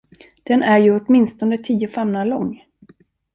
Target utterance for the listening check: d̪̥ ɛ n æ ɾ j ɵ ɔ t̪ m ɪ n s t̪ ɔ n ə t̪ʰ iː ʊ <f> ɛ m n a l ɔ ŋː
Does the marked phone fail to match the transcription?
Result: no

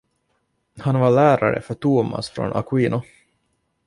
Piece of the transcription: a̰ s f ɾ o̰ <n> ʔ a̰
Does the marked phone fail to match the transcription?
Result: no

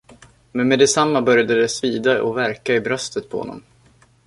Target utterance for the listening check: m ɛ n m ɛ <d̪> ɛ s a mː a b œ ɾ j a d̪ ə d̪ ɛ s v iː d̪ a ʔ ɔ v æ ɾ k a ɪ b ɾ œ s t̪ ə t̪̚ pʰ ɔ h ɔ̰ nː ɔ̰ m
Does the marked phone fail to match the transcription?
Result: no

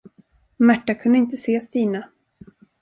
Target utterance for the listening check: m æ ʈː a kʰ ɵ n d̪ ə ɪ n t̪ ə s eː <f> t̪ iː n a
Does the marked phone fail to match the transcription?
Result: yes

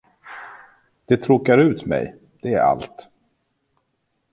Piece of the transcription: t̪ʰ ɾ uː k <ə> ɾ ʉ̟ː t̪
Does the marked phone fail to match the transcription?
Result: yes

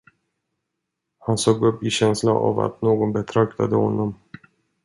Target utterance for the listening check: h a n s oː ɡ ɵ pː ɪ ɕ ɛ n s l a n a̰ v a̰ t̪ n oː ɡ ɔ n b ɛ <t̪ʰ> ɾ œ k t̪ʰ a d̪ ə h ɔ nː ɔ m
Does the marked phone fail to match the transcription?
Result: no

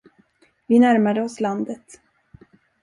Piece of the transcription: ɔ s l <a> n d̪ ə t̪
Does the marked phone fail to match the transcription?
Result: no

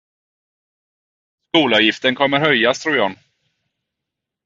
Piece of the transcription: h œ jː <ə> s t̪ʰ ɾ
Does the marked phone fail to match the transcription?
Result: yes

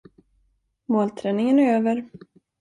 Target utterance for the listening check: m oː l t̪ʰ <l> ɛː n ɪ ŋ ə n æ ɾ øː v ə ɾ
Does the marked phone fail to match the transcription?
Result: yes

